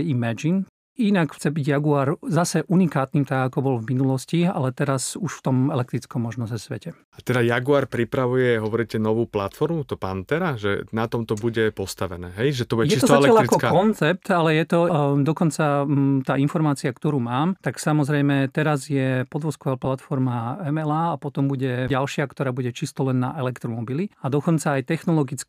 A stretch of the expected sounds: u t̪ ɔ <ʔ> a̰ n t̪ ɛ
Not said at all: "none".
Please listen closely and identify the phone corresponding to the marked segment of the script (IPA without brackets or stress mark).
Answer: p